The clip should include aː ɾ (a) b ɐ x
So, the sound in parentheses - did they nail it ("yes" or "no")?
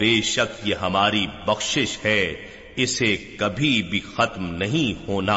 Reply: no